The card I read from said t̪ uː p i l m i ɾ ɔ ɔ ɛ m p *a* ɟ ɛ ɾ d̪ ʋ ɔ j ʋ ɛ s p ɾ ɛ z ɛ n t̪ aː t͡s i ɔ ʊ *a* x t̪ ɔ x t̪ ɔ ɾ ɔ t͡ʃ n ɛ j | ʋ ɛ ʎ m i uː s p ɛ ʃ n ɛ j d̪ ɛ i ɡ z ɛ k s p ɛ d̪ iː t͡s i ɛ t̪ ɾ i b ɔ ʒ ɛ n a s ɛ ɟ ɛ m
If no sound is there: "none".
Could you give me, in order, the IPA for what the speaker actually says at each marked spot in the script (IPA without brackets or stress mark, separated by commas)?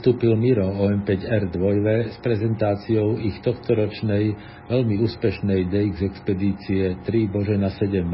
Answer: ɛ, i